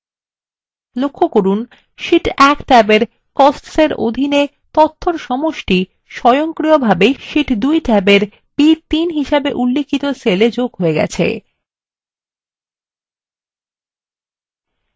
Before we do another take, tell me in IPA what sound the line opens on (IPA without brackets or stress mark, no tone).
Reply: l